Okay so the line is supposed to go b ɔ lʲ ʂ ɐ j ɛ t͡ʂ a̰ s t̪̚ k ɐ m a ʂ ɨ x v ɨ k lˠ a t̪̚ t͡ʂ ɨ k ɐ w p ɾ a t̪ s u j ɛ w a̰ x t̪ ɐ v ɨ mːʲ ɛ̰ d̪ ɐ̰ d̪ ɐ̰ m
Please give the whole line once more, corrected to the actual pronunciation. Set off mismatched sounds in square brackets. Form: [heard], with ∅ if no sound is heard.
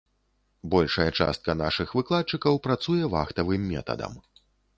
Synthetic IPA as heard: b ɔ lʲ ʂ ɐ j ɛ t͡ʂ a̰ s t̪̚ k ɐ [n] a ʂ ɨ x v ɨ k lˠ a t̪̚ t͡ʂ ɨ k ɐ w p ɾ a t̪ s u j ɛ [v] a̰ x t̪ ɐ v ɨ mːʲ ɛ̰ [t̪] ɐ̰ d̪ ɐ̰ m